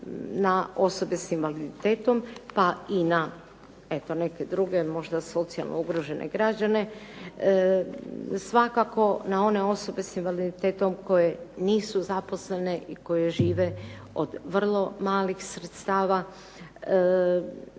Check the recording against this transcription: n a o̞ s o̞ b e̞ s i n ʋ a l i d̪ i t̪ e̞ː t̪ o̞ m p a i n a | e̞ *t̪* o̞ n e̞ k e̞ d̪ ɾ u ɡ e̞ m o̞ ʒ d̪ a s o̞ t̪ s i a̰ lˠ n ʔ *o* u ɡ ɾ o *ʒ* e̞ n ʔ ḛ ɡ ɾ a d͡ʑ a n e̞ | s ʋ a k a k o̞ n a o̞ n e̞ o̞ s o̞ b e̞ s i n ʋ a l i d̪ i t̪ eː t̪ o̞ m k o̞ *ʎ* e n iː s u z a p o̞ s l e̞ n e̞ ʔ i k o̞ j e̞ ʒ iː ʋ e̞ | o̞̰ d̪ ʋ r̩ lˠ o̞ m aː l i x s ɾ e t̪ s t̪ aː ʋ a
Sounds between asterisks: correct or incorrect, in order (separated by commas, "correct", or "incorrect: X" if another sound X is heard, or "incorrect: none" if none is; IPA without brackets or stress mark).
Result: correct, correct, correct, incorrect: j